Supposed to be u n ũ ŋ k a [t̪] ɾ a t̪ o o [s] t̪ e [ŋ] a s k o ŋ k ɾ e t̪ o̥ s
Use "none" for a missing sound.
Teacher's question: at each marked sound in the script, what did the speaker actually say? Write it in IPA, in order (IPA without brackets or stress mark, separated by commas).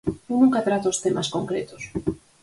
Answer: t̪, s, m